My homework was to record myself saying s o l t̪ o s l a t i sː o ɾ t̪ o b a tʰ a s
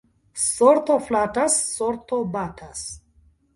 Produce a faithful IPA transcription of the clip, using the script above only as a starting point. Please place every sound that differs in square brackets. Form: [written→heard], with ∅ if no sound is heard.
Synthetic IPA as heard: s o [l→ɾ] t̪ o [s→f] l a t [i→a] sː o ɾ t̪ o b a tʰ a s